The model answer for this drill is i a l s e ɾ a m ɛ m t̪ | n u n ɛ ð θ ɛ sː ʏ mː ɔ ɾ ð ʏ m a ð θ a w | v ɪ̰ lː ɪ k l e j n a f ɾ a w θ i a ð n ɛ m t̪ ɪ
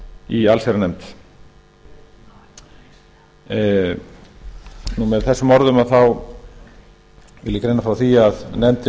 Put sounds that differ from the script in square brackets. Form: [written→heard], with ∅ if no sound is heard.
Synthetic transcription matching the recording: i a l s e ɾ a [m→n] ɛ m t̪ | n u [n→m] ɛ ð θ ɛ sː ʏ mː ɔ ɾ ð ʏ m a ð θ a w | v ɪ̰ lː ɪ k [l→ɾ] e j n a f ɾ a w θ i a ð n ɛ m t̪ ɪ